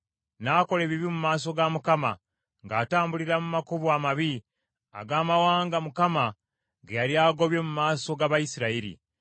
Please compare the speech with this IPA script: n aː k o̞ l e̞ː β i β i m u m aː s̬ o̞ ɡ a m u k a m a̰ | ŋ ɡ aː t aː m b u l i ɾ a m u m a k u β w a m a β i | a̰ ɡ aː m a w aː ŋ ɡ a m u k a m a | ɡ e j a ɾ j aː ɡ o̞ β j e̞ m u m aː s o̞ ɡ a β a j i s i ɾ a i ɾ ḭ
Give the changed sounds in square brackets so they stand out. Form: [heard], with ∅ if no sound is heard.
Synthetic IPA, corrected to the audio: n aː k o̞ l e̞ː β i β i m u m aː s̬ o̞ ɡ a m u k a m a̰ | ŋ ɡ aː t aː m b u l i ɾ a m u m a k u β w a m a β i | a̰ ɡ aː m a w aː ŋ ɡ a m u k a m a | ɡ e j a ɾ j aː ɡ o̞ β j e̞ m u m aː s o̞ ɡ a β a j i s i ɾ a i ɾ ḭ